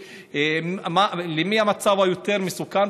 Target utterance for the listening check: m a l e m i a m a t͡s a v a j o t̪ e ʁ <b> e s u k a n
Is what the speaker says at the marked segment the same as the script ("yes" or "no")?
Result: no